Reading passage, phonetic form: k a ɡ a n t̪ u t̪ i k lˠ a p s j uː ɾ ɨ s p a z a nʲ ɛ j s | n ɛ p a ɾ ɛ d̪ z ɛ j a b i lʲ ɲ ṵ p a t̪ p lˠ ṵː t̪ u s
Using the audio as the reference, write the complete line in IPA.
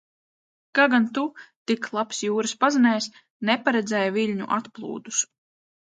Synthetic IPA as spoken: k a ɡ a n t̪ u t̪ i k lˠ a p s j uː ɾ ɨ s p a z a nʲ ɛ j s | n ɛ p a ɾ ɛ d̪ z ɛ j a v i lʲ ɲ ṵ ʔ a t̪ p lˠ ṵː d̪ u s